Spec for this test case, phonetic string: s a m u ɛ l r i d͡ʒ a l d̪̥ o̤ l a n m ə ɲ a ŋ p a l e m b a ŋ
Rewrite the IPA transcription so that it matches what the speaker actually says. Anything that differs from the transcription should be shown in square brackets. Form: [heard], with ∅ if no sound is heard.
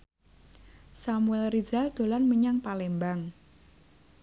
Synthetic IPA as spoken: s a m u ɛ l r i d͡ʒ a l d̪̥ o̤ l a n m ə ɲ a ŋ p a l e m b a ŋ